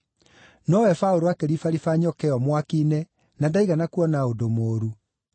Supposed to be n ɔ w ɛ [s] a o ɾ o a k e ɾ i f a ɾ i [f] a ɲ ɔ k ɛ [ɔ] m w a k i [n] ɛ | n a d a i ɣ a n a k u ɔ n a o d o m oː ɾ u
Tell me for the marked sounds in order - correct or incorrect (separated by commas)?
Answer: incorrect, correct, correct, correct